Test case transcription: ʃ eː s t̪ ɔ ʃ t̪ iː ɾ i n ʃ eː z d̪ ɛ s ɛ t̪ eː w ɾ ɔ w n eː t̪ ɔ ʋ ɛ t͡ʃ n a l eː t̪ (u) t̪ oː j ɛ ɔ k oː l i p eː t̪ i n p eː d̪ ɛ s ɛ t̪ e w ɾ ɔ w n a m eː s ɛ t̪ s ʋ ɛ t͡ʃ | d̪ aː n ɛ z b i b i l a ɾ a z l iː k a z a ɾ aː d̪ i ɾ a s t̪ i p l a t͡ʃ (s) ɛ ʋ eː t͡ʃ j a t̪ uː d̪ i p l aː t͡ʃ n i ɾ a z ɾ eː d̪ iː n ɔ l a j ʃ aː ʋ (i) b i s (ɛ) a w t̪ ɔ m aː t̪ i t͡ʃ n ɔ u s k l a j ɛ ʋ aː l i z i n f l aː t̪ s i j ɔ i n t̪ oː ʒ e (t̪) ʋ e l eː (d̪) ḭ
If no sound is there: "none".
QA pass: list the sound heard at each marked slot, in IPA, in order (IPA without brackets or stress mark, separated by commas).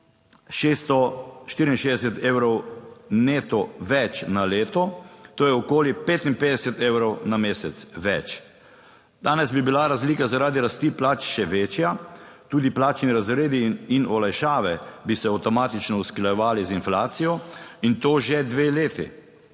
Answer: ɔ, ʃ, ɛ, ɛ, d̪, t̪